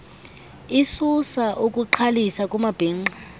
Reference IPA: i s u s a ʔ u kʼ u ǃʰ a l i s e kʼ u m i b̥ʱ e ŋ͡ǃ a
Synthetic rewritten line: i s u s a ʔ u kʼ u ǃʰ a l i s a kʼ u m a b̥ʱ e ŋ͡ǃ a